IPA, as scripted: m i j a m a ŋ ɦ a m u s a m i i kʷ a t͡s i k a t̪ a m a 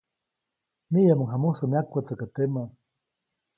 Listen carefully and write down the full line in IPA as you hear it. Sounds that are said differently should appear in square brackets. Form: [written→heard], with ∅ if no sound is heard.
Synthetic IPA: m i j a m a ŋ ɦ a m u s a m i [i→a] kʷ a t͡s [i→a] k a t̪ [a→e] m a